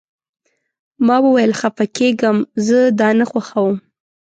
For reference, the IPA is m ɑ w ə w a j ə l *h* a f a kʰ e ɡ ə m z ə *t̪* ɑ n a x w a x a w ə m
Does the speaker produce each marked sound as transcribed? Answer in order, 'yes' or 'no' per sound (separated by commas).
no, no